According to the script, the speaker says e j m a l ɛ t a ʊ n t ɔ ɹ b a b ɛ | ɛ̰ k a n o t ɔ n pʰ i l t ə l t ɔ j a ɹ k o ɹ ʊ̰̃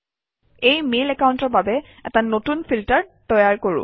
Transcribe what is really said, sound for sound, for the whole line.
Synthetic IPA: e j m e l ɛ k a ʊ n t ɔ ɹ b a b ɛ | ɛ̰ t a n o t u n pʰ i l t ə ɹ t ɔ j a ɹ k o ɹ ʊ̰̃